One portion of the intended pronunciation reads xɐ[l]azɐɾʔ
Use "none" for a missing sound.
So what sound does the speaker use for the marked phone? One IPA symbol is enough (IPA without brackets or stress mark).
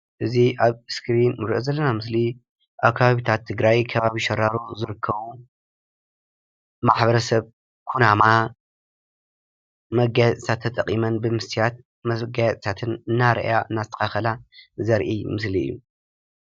l